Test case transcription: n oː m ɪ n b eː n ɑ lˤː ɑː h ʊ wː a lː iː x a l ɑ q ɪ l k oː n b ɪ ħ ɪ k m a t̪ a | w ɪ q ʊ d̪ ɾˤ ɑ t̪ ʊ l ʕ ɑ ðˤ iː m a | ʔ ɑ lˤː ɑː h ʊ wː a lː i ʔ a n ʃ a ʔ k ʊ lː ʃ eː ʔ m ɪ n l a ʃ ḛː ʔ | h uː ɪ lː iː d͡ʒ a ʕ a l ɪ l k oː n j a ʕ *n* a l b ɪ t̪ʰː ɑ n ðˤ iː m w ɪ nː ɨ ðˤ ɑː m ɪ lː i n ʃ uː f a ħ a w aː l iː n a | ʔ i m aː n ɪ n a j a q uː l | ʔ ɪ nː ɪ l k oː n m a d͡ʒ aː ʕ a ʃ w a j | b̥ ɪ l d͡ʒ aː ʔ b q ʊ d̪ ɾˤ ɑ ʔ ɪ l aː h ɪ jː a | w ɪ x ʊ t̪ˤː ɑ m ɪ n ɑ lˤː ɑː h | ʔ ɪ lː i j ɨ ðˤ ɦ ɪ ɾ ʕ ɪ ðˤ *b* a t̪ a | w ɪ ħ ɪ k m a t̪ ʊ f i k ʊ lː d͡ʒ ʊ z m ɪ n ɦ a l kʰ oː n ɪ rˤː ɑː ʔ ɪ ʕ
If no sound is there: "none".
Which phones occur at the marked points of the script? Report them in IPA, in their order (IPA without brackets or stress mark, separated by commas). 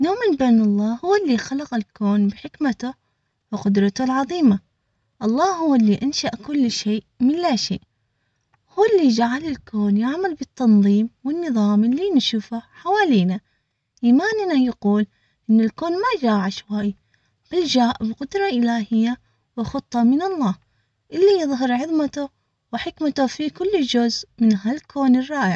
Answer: m, m